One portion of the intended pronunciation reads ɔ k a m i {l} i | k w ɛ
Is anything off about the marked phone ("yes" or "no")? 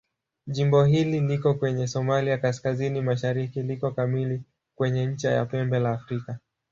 no